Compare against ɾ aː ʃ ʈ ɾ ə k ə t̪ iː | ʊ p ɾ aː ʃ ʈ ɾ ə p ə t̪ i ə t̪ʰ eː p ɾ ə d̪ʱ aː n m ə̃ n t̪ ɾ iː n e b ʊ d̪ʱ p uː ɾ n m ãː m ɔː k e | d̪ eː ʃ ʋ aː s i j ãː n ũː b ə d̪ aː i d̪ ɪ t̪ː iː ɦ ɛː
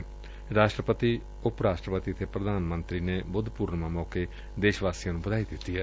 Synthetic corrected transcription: ɾ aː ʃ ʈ ɾ ə p ə t̪ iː | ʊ p ɾ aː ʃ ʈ ɾ ə p ə t̪ i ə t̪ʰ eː p ɾ ə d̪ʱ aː n m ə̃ n t̪ ɾ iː n e b ʊ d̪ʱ p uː ɾ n m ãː m ɔː k e | d̪ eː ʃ ʋ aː s i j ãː n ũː b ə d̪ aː i d̪ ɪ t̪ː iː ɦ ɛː